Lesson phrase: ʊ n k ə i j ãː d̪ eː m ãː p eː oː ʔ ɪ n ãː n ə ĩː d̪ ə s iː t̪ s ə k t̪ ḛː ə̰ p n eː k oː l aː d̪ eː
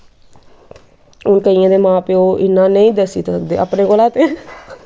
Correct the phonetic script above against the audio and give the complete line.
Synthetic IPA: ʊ n k ə i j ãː d̪ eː m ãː p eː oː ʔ ɪ n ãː n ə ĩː d̪ ə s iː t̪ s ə k d̪ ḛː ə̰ p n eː k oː l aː t̪ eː